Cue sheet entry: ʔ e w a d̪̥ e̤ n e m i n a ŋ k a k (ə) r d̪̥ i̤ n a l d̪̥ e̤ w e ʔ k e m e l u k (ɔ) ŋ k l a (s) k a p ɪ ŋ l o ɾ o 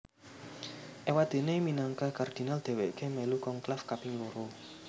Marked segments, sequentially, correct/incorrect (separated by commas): incorrect, correct, incorrect